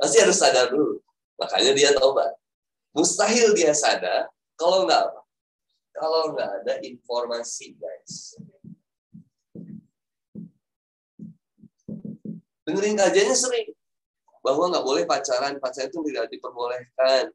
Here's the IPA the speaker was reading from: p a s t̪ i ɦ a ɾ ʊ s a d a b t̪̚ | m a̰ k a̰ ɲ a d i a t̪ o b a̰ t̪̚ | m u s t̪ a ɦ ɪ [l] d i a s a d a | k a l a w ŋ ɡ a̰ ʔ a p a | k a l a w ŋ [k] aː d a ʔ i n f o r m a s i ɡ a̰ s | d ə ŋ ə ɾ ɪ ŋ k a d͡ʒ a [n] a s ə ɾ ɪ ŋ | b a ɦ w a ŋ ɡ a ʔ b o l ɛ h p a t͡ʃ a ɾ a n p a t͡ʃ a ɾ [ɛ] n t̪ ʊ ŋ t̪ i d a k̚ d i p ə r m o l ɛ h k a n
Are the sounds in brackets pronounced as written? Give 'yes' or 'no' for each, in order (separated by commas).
yes, no, no, no